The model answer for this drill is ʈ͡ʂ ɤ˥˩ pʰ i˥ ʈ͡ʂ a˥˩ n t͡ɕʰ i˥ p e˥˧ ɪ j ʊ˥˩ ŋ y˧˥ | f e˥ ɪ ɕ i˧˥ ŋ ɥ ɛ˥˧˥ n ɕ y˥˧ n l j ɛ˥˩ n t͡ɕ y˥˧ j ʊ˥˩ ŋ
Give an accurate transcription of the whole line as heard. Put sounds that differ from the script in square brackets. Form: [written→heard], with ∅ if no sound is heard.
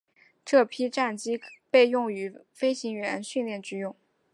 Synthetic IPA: ʈ͡ʂ ɤ˥˩ pʰ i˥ ʈ͡ʂ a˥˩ n [t͡ɕʰ→t͡ɕ] i˥ p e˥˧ ɪ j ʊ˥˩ ŋ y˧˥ | f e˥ ɪ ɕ i˧˥ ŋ ɥ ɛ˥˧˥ n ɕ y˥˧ n l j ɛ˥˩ n t͡ɕ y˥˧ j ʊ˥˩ ŋ